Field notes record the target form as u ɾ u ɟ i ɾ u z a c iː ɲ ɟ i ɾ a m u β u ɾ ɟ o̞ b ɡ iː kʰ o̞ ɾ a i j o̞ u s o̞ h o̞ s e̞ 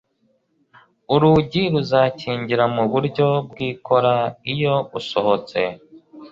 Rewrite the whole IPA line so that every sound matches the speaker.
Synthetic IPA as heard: u ɾ u ɟ i ɾ u z a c iː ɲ ɟ i ɾ a m u β u ɾ ɟ o̞ b ɡ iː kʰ o̞ ɾ a i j o̞ u s o̞ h o̞ t͡s e̞

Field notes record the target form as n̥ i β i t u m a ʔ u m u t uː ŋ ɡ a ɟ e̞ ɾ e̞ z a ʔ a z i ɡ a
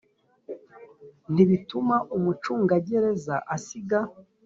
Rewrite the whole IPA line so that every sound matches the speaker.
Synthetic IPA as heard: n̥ i β i t u m a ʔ u m u t͡ʃ uː ŋ ɡ a ɟ e̞ ɾ e̞ z a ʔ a s i ɡ a

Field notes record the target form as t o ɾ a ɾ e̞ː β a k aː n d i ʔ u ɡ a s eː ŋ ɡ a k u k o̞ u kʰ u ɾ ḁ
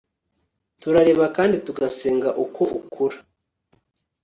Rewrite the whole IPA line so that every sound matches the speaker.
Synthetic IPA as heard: t u ɾ a ɾ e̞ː β a k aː n d i t u ɡ a s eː ŋ ɡ a ʔ u k o̞ u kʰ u ɾ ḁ

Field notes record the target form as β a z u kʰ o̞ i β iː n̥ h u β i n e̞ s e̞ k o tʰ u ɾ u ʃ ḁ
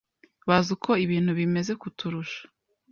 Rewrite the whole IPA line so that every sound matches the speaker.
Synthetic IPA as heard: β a z u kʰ o̞ i β iː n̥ h u β i m e̞ z e̞ k u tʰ u ɾ u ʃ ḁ

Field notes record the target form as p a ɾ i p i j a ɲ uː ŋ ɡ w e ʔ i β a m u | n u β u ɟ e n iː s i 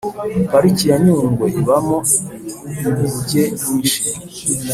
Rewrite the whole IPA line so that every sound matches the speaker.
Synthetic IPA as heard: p a ɾ i c i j a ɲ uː ŋ ɡ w e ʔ i β a m o | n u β u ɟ e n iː ʃ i

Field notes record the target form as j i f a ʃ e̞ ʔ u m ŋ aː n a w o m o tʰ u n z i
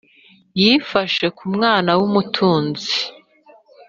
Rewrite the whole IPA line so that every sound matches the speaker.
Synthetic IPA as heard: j i f a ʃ e̞ k u m ŋ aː n a w u m u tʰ uː n z i

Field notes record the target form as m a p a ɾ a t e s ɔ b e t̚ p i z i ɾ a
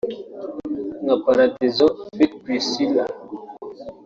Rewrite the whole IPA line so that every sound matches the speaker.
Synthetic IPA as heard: ŋ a p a ɾ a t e z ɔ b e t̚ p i s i l a

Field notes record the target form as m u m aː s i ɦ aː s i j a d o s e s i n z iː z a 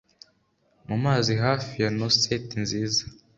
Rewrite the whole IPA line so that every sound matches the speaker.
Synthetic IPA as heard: m u m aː z i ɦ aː f i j a n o s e t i n z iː z a

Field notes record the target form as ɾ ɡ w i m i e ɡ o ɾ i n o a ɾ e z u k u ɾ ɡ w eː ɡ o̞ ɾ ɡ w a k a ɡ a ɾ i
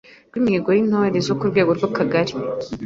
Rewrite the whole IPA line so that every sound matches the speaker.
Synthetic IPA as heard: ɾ ɡ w i m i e ɡ o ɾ i n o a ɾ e z o k u ɾ ɡ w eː ɡ o̞ ɾ ɡ w a k a ɡ a ɾ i

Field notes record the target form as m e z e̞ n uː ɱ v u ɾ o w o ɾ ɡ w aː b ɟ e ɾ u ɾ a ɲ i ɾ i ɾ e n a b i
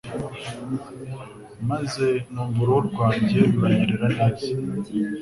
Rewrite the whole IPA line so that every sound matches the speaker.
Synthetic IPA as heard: m a z e̞ n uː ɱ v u ɾ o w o ɾ ɡ w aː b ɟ e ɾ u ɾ a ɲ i ɾ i ɾ a n a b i

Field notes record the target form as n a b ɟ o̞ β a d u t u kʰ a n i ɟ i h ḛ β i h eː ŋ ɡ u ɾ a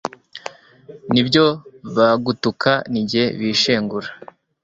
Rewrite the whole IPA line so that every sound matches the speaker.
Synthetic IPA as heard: n i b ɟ o̞ β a ɡ u t u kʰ a n i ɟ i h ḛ β i ʃ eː ŋ ɡ u ɾ a

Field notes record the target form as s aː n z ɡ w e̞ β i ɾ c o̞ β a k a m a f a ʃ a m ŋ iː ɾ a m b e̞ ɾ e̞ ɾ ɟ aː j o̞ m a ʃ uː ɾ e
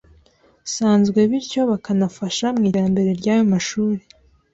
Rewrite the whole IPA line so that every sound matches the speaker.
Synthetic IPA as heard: s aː n z ɡ w e̞ β i ɾ c o̞ β a k a n a f a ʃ a m ŋ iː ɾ a m b e̞ ɾ e̞ ɾ ɟ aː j o̞ m a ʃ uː ɾ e

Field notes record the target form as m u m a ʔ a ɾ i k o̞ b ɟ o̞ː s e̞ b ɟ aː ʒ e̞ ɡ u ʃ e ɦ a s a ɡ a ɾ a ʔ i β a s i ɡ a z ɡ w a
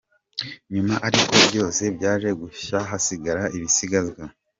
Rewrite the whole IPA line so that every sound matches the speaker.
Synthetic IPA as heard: ɲ u m a ʔ a ɾ i k o̞ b ɟ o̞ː s e̞ b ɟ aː ʒ e̞ ɡ u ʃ a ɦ a s i ɡ a ɾ a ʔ i β i s i ɡ a z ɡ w a

